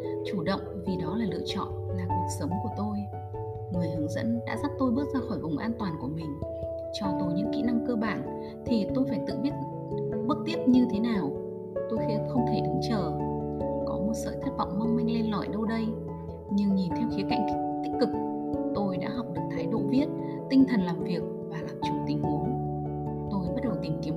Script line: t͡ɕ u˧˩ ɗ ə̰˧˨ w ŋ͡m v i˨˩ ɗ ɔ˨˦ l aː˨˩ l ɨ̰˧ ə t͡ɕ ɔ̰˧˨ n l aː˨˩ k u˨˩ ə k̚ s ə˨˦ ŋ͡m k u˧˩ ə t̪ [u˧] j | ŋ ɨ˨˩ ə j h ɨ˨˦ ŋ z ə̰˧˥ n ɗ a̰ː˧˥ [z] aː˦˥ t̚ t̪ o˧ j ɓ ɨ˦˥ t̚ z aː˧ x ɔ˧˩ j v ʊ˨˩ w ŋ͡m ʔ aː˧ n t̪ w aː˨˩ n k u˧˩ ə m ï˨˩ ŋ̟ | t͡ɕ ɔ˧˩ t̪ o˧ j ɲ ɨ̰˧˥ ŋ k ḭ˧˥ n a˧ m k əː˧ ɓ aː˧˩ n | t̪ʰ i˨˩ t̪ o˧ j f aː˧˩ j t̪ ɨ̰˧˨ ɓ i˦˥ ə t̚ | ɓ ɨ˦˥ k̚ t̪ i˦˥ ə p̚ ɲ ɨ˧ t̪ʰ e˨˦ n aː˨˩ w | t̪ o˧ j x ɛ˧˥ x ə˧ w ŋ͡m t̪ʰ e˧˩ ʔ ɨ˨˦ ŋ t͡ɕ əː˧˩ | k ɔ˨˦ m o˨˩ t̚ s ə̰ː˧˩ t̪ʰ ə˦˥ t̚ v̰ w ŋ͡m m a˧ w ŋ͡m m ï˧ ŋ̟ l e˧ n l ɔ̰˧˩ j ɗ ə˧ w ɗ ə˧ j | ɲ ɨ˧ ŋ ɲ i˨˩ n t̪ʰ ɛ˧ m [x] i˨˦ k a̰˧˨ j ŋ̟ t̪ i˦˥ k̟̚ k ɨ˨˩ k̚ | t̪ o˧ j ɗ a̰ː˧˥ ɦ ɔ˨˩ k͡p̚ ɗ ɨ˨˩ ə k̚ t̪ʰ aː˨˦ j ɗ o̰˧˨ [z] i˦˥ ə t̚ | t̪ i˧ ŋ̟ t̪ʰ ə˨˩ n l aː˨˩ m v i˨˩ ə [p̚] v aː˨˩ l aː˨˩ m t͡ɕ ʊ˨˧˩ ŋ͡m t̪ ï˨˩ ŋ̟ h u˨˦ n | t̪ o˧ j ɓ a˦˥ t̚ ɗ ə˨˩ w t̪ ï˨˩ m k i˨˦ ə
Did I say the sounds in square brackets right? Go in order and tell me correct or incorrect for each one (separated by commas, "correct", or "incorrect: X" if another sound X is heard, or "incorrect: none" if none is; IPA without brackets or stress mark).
incorrect: o˧, correct, correct, incorrect: v, incorrect: k̚